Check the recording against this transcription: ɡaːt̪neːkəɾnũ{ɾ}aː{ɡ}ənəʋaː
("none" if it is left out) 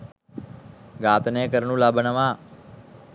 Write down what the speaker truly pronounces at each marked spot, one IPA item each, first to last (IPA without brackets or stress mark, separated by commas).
l, b